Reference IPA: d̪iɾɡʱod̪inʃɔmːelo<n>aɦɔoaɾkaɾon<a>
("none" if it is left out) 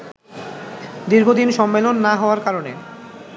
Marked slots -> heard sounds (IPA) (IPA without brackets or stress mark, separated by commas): nː, e